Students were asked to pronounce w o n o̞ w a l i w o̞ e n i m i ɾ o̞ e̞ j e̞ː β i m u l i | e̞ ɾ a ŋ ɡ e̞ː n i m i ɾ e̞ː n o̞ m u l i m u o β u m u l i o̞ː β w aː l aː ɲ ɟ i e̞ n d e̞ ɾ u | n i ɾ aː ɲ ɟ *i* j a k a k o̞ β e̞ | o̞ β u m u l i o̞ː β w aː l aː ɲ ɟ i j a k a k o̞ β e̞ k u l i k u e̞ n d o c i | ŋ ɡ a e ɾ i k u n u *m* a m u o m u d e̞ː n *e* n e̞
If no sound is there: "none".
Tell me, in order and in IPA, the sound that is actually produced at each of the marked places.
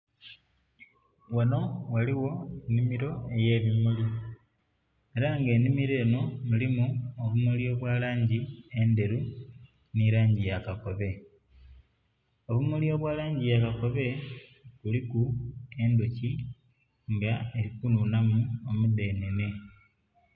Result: i, n, e

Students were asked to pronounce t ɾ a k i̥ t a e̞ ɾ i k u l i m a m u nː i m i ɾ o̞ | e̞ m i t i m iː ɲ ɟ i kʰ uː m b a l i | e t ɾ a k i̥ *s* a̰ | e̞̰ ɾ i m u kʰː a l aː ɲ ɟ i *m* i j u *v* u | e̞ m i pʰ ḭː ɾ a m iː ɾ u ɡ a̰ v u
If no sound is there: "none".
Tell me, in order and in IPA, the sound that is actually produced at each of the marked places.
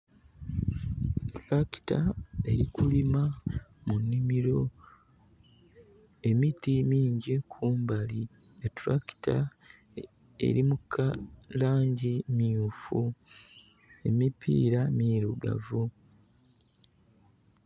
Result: t, m, f

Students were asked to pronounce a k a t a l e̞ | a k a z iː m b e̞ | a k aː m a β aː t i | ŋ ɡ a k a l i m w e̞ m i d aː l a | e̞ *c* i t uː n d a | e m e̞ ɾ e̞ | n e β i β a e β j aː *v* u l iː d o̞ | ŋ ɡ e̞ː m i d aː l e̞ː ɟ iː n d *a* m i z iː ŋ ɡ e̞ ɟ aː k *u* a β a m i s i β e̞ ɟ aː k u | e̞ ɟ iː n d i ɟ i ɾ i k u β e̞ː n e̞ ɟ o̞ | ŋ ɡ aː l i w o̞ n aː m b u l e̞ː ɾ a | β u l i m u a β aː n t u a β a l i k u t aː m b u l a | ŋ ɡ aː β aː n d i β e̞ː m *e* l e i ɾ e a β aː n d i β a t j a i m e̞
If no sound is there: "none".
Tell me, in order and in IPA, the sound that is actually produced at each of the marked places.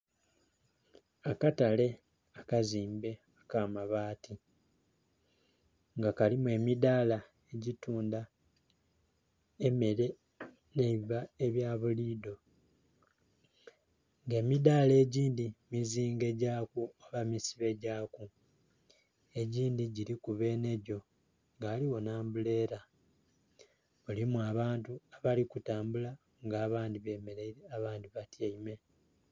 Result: ɟ, β, i, u, e

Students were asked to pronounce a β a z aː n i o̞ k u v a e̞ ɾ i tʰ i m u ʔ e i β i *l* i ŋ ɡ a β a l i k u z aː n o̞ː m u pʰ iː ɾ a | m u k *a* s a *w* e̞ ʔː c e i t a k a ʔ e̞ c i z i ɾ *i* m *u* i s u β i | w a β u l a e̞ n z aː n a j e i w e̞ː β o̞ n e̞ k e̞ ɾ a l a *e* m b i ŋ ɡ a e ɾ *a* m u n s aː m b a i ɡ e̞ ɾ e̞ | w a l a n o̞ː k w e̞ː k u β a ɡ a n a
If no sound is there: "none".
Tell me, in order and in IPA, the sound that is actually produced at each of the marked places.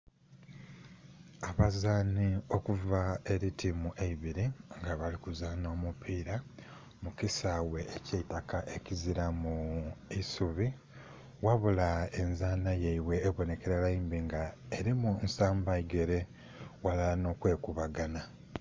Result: ɾ, i, w, a, u, i, i

